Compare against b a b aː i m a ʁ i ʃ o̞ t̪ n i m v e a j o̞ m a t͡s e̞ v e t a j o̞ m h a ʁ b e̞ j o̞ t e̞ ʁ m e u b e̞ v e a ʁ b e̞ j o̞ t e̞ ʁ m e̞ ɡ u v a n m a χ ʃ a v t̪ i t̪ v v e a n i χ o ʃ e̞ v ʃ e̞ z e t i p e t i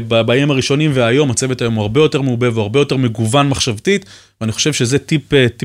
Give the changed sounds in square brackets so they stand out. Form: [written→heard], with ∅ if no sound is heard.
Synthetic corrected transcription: b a b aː i m a ʁ i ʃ o̞ [t̪→∅] n i m v e a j o̞ m a t͡s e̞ v e t a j o̞ m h a ʁ b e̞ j o̞ t e̞ ʁ m e u b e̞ v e a ʁ b e̞ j o̞ t e̞ ʁ m e̞ ɡ u v a n m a χ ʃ a v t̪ i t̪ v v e a n i χ o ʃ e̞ v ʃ e̞ z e t i p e t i